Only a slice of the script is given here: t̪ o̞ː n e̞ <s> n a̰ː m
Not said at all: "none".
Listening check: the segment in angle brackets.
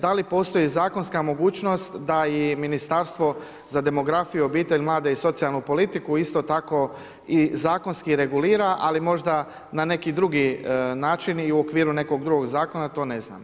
z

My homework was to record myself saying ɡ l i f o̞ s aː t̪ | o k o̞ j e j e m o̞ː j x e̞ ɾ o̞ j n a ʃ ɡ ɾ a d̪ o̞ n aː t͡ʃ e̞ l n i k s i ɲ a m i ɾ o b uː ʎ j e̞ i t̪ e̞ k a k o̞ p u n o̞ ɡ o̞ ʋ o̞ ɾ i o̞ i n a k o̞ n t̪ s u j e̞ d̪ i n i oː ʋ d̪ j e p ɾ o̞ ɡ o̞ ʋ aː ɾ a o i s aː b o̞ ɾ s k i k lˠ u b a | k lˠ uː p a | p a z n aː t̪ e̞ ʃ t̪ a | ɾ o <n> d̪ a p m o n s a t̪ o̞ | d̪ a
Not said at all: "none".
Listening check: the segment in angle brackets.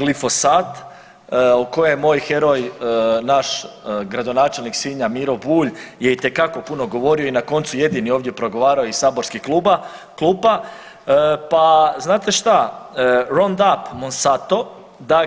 n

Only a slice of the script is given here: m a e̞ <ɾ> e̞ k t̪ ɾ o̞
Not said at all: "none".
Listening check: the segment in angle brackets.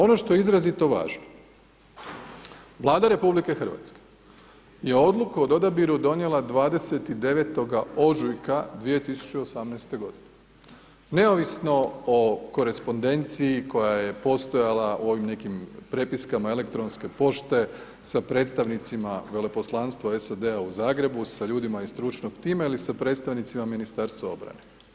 l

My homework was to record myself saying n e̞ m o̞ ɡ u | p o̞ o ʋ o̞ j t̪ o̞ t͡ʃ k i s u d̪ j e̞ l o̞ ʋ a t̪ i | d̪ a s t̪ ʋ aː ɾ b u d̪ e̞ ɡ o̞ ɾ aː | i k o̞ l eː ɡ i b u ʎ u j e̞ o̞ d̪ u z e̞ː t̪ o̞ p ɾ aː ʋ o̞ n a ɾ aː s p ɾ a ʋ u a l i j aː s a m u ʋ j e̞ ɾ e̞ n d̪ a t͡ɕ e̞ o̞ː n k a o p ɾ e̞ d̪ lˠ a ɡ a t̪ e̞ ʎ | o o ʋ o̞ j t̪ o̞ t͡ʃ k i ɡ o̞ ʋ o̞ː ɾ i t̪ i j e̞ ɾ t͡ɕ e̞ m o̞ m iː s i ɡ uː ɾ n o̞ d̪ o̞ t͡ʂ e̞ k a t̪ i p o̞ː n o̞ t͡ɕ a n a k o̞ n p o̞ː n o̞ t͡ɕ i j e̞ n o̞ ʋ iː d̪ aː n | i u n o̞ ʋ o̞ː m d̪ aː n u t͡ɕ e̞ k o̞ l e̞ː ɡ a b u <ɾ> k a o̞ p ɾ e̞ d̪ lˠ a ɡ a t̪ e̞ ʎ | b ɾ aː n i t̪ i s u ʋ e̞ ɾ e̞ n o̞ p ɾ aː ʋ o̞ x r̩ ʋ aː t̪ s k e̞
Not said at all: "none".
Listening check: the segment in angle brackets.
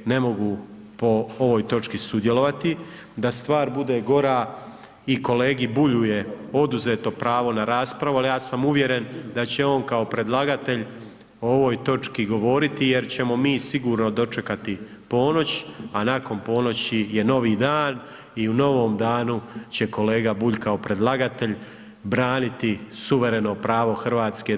ʎ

